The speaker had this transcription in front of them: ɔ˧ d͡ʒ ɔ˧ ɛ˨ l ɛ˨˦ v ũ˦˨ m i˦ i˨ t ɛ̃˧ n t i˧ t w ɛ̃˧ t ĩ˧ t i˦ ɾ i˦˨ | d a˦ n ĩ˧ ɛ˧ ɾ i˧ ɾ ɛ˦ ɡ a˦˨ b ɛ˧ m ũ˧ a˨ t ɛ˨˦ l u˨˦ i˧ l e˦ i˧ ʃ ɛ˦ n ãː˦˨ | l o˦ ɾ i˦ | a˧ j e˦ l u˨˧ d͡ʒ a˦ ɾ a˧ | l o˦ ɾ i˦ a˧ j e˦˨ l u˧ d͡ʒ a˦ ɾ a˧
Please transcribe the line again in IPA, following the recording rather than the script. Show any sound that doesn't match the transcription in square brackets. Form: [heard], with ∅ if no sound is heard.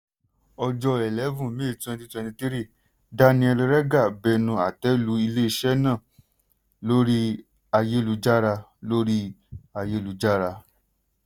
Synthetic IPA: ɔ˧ d͡ʒ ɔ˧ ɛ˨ l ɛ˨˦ v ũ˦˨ m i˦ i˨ t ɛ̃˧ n t i˧ t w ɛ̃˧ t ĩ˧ t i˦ ɾ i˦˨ | d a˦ n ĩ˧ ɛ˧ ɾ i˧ ɾ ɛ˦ ɡ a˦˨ b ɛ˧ [n] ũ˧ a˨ t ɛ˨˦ l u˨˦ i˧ l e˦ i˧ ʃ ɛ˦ n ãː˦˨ | l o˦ ɾ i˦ | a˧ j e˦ l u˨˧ d͡ʒ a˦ ɾ a˧ | l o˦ ɾ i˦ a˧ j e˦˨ l u˧ d͡ʒ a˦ ɾ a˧